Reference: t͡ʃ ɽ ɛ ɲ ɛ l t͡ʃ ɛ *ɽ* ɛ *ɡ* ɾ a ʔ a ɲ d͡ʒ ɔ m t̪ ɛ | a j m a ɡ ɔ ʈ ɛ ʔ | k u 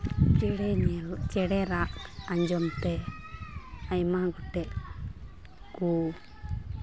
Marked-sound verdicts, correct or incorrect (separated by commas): correct, incorrect